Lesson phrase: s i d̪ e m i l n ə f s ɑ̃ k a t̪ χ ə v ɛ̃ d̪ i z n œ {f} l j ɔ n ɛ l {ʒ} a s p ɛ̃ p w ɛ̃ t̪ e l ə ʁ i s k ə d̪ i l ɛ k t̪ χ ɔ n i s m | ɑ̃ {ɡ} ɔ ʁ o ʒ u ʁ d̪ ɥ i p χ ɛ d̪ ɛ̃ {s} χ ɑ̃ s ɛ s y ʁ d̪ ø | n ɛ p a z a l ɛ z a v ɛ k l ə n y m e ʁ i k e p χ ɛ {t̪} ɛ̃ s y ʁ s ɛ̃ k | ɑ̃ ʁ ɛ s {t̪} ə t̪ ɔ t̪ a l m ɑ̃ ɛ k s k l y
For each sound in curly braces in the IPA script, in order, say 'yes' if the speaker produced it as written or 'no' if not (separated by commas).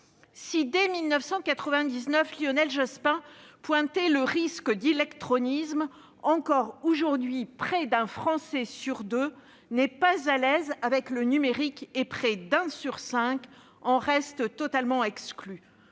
yes, yes, no, no, no, yes